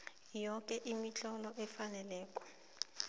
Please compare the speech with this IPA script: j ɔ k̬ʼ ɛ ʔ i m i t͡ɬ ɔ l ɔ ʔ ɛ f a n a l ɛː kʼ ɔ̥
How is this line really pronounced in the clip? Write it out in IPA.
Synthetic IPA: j ɔ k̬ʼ ɛ ʔ i m i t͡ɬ ɔ l ɔ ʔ ɛ f a n ɛ l ɛː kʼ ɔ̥